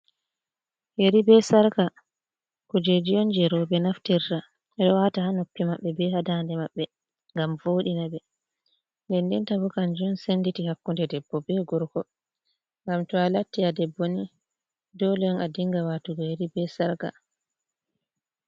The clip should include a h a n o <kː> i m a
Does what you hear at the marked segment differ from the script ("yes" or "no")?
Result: yes